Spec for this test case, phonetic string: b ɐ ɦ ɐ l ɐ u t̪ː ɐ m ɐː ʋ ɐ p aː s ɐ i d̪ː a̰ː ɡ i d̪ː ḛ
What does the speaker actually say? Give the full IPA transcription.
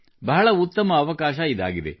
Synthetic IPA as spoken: b ɐ ɦ ɐ ɭ ɐ u t̪ː ɐ m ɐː ʋ ɐ k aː ʃ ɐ i d̪ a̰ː ɡ i d̪ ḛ